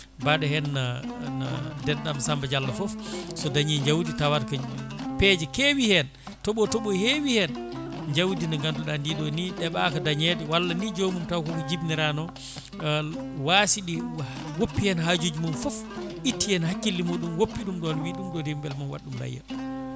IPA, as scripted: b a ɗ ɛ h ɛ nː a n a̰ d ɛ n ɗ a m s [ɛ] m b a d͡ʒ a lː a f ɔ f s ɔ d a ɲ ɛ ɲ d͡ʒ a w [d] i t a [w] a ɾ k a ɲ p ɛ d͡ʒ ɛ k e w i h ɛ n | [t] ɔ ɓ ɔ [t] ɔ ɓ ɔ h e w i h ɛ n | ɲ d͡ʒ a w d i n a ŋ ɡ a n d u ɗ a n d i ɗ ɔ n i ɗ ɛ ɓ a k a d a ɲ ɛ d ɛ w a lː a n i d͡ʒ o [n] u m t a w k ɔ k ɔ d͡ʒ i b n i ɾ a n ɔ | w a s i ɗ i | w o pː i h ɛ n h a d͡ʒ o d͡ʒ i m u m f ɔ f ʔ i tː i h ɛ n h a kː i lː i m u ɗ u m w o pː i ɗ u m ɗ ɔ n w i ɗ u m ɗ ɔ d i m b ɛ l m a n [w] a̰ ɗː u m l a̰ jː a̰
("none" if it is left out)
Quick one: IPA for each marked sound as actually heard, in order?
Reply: a, d, w, t, t, m, w

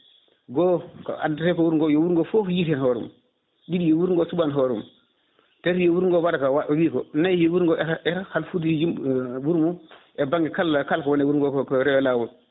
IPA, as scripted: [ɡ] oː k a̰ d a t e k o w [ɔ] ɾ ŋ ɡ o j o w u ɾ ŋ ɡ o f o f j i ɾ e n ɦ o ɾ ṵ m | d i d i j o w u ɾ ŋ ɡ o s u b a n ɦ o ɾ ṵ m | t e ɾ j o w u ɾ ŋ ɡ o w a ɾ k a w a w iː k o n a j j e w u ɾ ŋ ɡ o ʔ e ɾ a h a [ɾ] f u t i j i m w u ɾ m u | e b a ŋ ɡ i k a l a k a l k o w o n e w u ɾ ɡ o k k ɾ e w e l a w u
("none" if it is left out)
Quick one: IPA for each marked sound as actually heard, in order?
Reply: ɡ, u, l

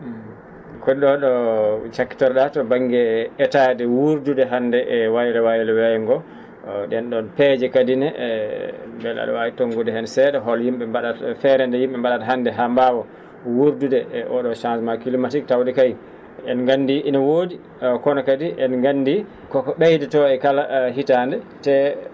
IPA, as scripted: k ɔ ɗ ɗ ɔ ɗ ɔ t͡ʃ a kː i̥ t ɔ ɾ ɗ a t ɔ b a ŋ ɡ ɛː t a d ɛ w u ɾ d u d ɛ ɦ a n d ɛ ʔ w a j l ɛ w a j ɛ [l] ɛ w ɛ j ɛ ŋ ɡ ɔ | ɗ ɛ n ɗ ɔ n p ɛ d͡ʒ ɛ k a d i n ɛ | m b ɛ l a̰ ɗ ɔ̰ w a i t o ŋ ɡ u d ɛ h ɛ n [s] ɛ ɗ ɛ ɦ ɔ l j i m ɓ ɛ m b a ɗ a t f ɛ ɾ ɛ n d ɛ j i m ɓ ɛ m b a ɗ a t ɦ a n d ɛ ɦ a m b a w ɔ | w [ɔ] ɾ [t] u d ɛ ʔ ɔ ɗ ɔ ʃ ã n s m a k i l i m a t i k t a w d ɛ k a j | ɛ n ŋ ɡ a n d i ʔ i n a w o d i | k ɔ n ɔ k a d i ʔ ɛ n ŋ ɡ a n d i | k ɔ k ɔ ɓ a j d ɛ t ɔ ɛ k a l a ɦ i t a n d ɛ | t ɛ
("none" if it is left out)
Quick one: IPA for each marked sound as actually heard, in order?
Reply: l, s, u, d

